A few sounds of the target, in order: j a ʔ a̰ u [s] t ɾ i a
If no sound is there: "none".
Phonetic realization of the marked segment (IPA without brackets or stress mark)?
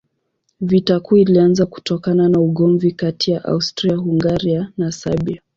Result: s